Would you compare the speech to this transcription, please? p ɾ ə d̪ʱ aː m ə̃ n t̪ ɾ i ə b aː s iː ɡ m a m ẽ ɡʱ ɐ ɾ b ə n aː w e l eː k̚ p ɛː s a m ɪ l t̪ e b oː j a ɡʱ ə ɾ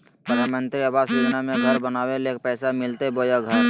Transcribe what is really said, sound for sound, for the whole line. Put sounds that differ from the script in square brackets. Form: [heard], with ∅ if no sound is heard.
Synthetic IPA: p ɾ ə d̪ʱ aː m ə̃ n t̪ ɾ i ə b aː s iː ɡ [n] a m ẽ ɡʱ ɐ ɾ b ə n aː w e l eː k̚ p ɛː s a m ɪ l t̪ e b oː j a ɡʱ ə ɾ

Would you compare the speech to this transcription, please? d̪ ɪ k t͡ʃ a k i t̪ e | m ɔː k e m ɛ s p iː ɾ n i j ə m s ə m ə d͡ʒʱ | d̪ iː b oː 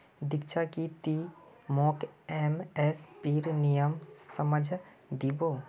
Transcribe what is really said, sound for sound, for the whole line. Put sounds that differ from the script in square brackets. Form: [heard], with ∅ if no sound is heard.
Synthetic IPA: d̪ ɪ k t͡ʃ a k i t̪ [i] | m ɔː k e m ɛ s p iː ɾ n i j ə m s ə m ə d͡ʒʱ | d̪ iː b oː

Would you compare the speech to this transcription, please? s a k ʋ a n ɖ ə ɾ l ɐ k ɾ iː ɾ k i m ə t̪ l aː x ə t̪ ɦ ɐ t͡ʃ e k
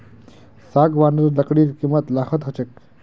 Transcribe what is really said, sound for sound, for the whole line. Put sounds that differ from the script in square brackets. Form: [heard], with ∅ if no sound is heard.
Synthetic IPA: s a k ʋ a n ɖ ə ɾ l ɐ k [ɽ] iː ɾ k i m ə t̪ l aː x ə t̪ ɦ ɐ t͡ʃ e k

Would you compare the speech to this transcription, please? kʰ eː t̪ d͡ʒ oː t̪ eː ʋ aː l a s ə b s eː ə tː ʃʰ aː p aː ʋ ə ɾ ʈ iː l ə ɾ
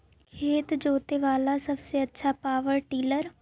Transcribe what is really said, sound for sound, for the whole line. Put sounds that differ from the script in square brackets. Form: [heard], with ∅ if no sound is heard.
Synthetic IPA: kʰ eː t̪ d͡ʒ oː t̪ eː ʋ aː l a s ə b s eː ə tː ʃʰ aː p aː ʋ ə ɾ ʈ iː l ə ɾ

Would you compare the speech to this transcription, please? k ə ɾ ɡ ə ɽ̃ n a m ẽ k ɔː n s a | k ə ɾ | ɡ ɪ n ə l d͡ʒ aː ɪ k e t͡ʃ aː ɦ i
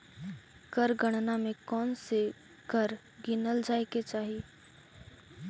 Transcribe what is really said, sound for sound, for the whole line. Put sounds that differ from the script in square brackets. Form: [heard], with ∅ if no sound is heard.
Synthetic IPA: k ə ɾ ɡ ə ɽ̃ n a m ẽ k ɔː n s [e] | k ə ɾ | ɡ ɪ n ə l d͡ʒ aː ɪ k e t͡ʃ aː ɦ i

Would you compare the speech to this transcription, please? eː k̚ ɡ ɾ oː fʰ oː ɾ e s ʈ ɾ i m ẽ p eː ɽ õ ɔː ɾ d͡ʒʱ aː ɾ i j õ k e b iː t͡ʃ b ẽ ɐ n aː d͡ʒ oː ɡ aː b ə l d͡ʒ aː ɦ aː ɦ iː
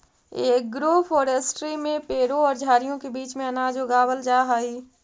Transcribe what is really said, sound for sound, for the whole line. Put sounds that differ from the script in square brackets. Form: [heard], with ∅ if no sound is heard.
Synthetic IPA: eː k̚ ɡ ɾ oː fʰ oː ɾ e s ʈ ɾ i m ẽ p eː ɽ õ ɔː ɾ d͡ʒʱ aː ɾ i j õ k e b iː t͡ʃ [m] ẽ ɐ n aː d͡ʒ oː ɡ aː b ə l d͡ʒ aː ɦ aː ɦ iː

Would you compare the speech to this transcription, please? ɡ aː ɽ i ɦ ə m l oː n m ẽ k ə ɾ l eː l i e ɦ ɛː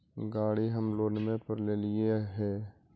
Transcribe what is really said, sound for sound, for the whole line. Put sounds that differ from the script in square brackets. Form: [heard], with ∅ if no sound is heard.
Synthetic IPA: ɡ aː ɽ i ɦ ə m l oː n m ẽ [p] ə ɾ l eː l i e ɦ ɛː

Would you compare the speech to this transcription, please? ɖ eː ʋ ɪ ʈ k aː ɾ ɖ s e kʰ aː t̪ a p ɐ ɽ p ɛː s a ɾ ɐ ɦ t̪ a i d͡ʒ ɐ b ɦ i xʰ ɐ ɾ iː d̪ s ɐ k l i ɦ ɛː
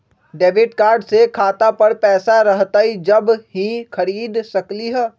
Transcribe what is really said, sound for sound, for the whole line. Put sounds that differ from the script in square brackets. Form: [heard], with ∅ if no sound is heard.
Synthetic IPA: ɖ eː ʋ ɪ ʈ k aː ɾ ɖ s e kʰ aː t̪ a p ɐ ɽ p ɛː s a ɾ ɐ ɦ t̪ a i d͡ʒ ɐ b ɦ i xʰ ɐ ɾ iː d̪ s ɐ k l i ɦ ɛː

